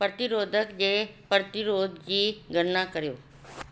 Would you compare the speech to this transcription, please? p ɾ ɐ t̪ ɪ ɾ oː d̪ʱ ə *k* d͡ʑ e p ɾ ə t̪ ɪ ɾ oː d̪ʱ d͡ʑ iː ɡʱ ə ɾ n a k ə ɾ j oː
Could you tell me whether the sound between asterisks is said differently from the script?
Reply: no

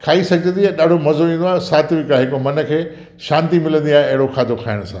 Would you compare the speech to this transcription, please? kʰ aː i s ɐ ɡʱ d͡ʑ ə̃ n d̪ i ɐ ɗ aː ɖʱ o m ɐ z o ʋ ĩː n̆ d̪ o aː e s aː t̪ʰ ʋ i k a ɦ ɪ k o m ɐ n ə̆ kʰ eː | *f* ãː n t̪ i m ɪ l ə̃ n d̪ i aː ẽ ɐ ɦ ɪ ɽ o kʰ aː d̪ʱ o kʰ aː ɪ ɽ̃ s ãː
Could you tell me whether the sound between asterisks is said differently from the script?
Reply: yes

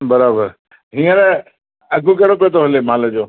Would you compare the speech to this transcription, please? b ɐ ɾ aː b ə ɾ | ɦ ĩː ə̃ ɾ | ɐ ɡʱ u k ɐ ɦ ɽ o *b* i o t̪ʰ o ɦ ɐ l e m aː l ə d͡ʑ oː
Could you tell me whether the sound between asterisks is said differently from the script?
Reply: yes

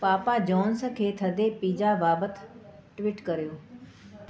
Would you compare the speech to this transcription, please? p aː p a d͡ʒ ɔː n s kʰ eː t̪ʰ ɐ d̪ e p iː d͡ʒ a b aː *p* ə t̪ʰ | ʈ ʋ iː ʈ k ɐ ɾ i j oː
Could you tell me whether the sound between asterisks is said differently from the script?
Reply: yes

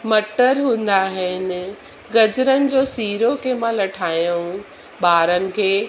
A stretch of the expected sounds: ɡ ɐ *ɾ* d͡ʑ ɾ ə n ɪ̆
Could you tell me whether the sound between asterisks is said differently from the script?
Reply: yes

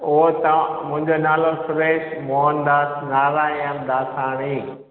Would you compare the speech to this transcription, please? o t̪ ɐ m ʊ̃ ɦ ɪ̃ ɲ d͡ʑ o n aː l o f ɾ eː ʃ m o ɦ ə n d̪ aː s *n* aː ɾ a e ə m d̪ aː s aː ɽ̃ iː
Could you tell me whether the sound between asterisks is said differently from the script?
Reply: no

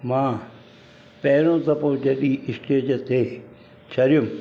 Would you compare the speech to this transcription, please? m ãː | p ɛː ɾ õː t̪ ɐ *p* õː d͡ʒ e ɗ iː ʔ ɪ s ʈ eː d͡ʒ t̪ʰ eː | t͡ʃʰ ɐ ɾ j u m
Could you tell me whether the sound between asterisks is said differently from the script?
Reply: no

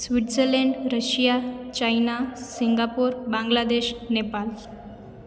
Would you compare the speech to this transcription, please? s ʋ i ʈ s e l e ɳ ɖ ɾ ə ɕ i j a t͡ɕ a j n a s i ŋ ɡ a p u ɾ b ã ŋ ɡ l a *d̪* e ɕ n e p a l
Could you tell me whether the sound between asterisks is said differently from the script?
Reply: no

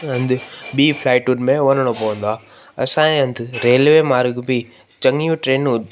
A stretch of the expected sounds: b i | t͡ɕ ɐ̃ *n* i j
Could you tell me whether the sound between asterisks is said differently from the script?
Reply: yes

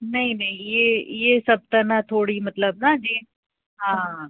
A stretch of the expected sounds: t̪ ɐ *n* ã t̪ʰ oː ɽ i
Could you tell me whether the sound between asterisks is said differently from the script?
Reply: no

